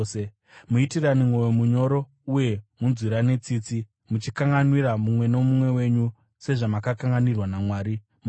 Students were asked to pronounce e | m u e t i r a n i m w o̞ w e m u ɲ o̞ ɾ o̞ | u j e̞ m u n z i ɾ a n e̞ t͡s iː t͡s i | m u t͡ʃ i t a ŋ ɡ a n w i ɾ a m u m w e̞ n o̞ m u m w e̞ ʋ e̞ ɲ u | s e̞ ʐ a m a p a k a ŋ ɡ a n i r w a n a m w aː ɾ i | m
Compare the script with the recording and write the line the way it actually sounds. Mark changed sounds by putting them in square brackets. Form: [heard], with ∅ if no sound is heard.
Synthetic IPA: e | m u [i] t i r a n i m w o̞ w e m u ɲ o̞ ɾ o̞ | u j e̞ m u n z i ɾ a n e̞ t͡s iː t͡s i | m u t͡ʃ i [k] a ŋ ɡ a n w i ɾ a m u m w e̞ n o̞ m u m w e̞ [w] e̞ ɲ u | s e̞ ʐ a m a [k] a k a ŋ ɡ a n i r w a n a m w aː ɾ i | m